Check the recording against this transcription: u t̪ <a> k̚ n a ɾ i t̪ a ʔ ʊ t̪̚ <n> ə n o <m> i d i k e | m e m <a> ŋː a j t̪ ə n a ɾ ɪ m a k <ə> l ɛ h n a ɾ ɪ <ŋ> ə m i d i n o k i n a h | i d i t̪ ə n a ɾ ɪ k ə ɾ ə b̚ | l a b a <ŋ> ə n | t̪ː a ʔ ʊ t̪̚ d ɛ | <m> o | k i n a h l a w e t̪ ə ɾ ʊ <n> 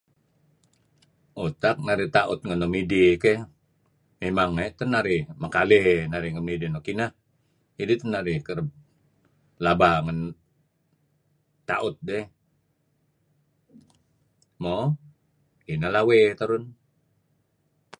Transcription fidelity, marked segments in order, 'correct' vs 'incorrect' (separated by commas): correct, incorrect, correct, correct, incorrect, correct, correct, correct, correct